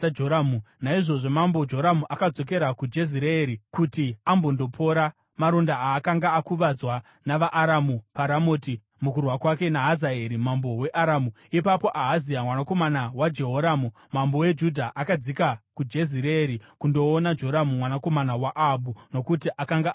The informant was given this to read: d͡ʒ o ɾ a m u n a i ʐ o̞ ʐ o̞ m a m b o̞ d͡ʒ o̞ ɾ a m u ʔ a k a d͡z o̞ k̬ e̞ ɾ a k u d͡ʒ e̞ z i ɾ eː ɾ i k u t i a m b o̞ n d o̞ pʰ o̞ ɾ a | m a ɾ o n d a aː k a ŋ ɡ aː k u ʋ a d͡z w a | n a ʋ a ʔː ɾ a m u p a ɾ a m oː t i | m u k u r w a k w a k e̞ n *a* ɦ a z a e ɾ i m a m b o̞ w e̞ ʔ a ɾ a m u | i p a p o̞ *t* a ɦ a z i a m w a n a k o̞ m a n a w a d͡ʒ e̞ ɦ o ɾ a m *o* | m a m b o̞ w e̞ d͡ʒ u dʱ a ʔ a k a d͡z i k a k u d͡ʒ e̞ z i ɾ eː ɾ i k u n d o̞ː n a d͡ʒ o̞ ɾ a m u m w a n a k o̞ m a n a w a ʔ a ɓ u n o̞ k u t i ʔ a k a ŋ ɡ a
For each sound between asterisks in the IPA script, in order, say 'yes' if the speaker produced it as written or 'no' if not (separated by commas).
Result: yes, no, no